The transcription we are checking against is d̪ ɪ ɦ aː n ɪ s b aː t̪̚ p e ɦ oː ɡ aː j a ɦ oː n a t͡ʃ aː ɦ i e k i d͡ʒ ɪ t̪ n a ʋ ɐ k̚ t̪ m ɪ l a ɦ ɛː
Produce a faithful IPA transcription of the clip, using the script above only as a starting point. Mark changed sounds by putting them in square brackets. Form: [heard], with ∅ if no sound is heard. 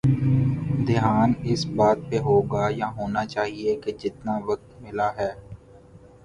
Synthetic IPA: d̪ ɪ ɦ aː n ɪ s b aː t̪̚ p e ɦ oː ɡ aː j a ɦ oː n a t͡ʃ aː ɦ i e k [e] d͡ʒ ɪ t̪ n a ʋ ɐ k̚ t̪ m ɪ l a ɦ ɛː